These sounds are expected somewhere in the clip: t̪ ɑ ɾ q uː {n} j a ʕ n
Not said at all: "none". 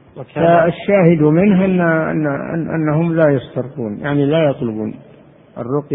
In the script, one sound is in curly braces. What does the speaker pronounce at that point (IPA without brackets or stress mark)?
n